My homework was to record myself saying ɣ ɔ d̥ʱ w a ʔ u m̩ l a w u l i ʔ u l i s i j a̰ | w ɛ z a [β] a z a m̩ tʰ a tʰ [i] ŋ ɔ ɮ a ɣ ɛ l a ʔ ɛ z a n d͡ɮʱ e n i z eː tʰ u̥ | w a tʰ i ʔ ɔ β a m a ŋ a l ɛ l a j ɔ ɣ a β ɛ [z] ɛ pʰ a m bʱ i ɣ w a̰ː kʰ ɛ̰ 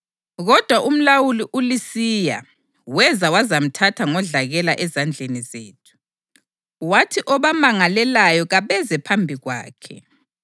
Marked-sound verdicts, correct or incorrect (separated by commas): incorrect, incorrect, correct